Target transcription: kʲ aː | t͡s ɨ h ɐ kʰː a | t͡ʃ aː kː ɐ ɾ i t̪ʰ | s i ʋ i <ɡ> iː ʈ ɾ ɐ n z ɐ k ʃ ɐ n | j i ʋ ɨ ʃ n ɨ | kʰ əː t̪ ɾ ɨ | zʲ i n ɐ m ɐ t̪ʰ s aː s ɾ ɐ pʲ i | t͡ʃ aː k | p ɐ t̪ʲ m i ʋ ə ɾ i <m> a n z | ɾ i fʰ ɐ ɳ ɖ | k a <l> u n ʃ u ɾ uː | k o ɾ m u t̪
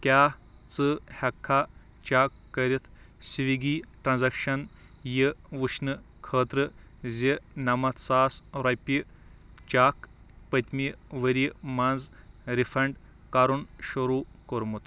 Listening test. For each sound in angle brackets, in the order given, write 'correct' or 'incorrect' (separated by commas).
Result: correct, correct, incorrect